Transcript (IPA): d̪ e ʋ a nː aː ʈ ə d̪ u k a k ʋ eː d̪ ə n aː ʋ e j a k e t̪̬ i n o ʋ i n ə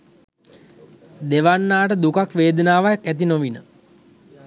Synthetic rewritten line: d̪ e ʋ a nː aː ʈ ə d̪ u k a k ʋ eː d̪ ə n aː ʋ a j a k æ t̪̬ i n o ʋ i n ə